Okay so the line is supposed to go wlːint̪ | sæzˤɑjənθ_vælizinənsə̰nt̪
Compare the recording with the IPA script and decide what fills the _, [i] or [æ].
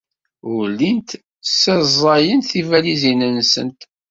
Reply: i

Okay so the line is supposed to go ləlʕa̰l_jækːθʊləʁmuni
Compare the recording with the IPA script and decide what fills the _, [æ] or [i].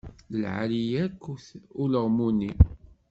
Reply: i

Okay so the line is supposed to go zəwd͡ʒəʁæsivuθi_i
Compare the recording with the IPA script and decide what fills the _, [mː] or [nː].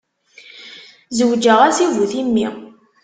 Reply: mː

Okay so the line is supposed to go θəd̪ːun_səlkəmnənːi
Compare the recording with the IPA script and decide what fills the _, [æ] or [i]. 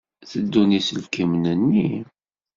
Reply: i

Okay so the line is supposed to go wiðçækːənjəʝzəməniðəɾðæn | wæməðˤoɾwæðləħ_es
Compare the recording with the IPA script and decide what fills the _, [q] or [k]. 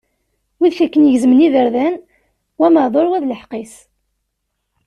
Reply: q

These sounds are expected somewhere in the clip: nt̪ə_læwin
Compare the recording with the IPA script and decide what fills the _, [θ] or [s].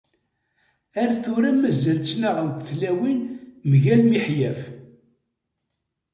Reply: θ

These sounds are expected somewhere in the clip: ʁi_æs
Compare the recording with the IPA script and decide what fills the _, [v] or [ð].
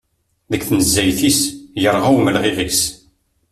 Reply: v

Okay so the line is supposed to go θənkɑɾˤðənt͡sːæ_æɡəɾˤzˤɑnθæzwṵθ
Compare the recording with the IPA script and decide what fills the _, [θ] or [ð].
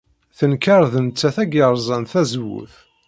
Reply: θ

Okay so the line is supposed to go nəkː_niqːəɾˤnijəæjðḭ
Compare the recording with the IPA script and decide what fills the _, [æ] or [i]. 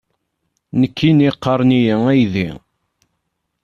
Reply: i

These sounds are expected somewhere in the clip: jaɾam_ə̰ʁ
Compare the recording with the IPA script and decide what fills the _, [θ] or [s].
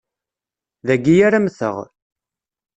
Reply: θ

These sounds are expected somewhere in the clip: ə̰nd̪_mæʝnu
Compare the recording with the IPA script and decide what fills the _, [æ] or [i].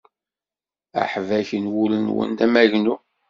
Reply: æ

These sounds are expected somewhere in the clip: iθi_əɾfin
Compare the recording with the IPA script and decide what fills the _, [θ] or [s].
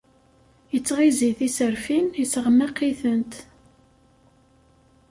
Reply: s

